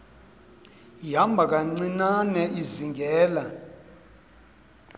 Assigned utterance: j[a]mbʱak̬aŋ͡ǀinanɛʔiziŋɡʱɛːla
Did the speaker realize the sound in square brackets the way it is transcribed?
yes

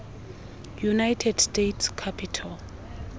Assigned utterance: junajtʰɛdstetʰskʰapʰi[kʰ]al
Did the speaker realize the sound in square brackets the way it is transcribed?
no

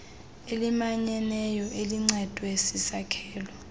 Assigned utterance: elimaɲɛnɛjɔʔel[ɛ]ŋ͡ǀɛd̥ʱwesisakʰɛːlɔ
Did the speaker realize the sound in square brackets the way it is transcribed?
no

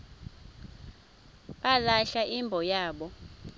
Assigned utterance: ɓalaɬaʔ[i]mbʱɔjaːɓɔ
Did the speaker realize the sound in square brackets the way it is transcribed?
yes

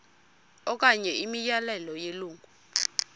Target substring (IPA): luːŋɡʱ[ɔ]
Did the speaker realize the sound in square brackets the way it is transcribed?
no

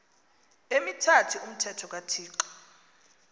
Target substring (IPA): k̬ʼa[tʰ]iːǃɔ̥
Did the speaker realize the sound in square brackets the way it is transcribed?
yes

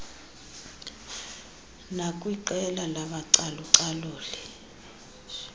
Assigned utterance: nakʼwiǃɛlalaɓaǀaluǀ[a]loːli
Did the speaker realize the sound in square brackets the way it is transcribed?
yes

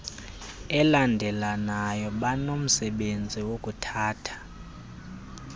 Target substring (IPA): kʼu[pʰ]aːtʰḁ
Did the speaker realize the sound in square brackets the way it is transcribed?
no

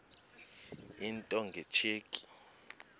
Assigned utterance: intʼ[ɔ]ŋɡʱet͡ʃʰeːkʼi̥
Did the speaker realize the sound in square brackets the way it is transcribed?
yes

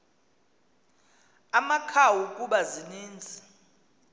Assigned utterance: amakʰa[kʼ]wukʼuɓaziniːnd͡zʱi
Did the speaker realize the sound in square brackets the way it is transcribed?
no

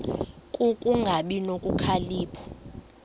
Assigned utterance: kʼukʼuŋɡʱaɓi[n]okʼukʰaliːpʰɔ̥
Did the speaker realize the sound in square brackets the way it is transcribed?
yes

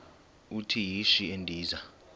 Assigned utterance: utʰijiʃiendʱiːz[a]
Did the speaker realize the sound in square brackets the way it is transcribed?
yes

